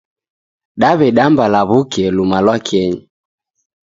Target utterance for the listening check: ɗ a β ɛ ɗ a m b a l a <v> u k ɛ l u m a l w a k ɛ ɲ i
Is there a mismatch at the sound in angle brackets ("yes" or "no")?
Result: yes